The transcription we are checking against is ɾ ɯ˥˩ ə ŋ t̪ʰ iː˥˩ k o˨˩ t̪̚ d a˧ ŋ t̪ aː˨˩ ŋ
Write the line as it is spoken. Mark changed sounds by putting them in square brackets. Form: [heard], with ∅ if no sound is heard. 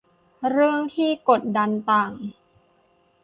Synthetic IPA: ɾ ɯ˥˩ ə ŋ t̪ʰ iː˥˩ k o˨˩ t̪̚ d a˧ [n] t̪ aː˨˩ ŋ